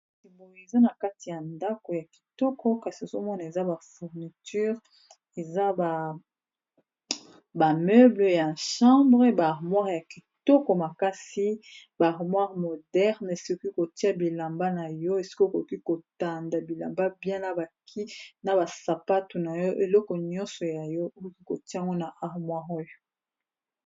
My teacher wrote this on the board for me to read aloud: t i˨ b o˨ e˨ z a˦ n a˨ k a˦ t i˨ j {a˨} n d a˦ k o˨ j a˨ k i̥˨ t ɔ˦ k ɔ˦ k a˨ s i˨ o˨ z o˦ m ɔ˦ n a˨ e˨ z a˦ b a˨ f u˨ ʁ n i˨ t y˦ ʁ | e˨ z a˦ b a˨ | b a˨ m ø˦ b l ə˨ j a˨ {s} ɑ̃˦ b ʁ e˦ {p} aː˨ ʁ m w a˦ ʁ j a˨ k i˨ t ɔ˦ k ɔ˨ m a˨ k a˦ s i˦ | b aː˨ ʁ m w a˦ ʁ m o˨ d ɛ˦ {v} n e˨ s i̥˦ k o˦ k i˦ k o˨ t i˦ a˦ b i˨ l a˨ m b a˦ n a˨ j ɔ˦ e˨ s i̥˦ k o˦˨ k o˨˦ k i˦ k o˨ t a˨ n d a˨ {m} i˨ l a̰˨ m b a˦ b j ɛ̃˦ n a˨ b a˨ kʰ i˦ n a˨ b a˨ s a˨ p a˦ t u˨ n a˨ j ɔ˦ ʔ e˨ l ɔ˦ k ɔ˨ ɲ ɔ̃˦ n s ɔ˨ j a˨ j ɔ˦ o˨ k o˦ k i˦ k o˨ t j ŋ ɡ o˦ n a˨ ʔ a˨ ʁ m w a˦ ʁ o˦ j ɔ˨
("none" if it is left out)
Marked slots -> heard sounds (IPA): a˨, ʃ, b, ʁ, b

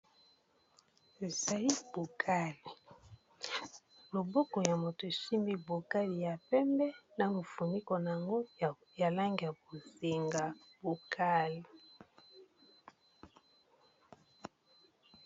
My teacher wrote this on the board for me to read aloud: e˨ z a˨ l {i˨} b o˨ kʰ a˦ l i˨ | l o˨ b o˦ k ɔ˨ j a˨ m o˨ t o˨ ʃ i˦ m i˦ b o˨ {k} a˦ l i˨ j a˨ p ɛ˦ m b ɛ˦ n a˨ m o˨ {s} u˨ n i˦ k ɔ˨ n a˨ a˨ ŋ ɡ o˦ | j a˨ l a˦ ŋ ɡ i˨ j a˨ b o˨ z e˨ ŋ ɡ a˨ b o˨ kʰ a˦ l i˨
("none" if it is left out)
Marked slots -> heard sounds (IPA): i˦, k, f

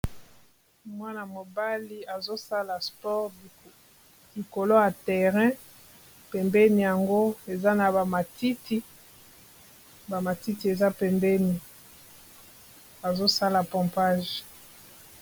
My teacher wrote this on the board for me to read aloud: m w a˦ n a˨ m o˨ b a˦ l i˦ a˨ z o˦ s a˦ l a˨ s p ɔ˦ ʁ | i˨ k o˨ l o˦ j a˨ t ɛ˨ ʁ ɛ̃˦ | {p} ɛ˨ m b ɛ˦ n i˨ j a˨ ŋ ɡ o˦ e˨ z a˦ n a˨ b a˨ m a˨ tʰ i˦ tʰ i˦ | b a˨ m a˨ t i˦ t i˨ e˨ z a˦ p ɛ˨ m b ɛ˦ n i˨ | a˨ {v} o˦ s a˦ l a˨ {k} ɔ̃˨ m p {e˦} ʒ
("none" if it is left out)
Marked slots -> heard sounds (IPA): p, z, p, a˦

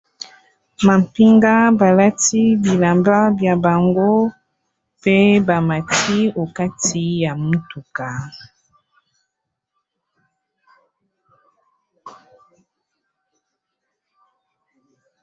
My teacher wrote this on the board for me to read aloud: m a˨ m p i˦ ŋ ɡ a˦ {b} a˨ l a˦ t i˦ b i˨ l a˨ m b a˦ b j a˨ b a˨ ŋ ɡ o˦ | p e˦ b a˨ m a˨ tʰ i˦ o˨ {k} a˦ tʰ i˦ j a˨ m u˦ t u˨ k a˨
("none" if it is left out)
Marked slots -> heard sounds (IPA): b, k

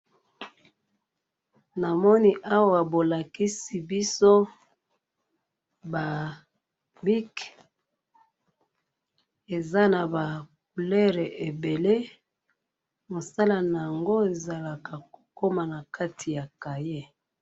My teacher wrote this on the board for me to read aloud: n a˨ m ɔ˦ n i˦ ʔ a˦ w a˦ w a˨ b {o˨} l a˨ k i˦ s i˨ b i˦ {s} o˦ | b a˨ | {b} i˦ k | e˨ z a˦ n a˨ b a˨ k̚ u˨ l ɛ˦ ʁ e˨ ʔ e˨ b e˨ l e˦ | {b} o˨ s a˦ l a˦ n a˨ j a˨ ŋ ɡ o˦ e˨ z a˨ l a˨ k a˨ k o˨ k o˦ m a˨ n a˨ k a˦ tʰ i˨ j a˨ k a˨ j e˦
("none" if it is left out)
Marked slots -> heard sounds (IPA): o˨, s, b, m

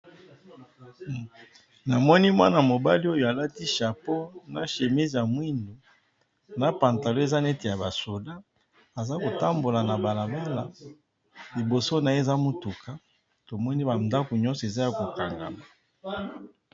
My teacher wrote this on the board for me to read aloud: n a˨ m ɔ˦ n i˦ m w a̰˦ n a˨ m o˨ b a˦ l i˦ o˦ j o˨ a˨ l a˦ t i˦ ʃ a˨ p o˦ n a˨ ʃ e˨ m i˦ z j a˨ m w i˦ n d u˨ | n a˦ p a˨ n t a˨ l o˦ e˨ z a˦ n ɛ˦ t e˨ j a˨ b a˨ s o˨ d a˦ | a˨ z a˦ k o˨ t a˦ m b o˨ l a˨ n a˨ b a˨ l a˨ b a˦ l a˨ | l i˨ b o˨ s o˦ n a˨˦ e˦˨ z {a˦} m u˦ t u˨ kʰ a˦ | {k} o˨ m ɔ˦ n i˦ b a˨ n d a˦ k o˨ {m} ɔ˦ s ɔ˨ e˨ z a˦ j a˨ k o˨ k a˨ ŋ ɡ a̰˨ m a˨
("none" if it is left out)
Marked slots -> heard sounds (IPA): a˦, t, ɲ

